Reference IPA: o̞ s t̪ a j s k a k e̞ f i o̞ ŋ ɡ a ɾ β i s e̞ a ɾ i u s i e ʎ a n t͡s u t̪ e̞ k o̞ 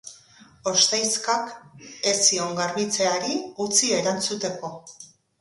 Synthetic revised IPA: o̞ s t̪ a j s k a k e̞ s i o̞ ŋ ɡ a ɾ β i t͡s e̞ a ɾ i u t͡s i e ɾ a n t͡s u t̪ e̞ k o̞

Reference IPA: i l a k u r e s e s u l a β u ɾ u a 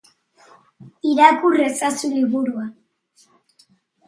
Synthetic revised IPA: i ɾ a k u r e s a s u l i β u ɾ u a

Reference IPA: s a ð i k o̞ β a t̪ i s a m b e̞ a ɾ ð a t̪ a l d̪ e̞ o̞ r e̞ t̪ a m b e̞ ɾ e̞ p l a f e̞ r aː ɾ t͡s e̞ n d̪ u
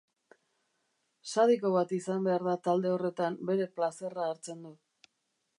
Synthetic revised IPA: s a ð i k o̞ β a t̪ i s a m b e̞ a ɾ ð a t̪ a l d̪ e̞ o̞ r e̞ t̪ a m b e̞ ɾ e̞ p l a s e̞ r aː ɾ t͡s e̞ n d̪ u

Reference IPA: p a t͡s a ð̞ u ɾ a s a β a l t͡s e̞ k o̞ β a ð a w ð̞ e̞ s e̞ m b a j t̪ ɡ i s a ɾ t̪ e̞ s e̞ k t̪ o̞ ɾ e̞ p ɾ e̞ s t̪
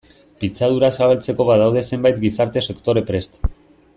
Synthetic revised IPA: p i t͡s a ð̞ u ɾ a s a β a l t͡s e̞ k o̞ β a ð a w ð̞ e̞ s e̞ m b a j t̪ ɡ i s a ɾ t̪ e̞ s e̞ k t̪ o̞ ɾ e̞ p ɾ e̞ s t̪

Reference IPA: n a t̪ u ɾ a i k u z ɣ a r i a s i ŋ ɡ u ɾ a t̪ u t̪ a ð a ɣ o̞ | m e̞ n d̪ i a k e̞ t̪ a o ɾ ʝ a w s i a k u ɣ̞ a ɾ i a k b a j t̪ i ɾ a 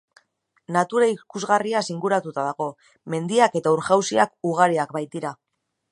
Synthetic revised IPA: n a t̪ u ɾ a i k u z ɣ a r i a s i ŋ ɡ u ɾ a t̪ u t̪ a ð a ɣ o̞ | m e̞ n d̪ i a k e̞ t̪ a u ɾ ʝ a w s i a k u ɣ̞ a ɾ i a k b a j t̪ i ɾ a

